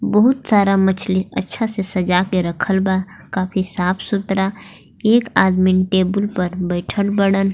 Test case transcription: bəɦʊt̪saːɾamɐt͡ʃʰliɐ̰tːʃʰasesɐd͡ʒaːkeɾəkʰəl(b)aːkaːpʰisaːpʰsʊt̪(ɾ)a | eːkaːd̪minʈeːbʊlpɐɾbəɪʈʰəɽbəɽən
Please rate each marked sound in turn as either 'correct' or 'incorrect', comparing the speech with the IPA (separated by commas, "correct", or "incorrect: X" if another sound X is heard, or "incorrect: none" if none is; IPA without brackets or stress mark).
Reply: correct, correct